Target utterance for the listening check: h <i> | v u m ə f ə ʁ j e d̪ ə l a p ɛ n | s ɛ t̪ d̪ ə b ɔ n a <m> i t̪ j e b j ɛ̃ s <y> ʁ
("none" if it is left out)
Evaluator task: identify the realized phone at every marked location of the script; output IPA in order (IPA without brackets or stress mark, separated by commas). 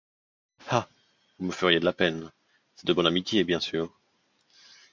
a, m, yː